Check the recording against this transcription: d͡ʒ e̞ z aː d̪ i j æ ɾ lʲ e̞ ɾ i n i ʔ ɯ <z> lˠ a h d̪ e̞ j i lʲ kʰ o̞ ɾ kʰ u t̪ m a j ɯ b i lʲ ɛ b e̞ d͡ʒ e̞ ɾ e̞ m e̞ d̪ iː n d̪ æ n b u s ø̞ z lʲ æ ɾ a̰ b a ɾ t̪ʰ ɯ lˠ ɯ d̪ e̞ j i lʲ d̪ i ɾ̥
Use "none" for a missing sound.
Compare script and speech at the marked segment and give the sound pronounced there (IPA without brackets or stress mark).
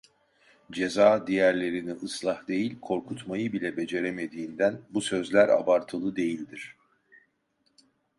s